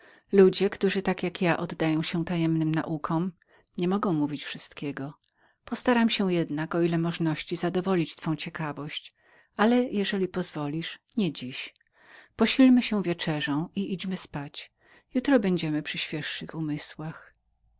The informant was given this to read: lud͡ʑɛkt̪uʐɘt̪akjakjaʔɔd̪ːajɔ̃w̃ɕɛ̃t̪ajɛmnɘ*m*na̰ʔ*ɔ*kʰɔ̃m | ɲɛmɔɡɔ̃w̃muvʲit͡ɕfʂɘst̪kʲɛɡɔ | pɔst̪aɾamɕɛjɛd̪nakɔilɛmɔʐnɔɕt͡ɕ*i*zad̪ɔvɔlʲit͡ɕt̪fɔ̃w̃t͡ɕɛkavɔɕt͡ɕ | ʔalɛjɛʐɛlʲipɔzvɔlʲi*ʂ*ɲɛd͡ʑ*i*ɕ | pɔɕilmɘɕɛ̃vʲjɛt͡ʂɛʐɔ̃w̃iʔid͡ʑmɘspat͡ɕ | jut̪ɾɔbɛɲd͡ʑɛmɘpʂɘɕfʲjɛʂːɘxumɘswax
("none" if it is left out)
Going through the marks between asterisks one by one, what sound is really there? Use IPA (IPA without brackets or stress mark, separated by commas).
m, u, i, ʂ, i